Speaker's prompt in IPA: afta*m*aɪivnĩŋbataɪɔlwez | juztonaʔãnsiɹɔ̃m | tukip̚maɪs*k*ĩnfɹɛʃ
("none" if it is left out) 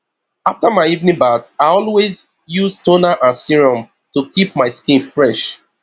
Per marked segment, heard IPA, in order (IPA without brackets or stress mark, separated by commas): m, k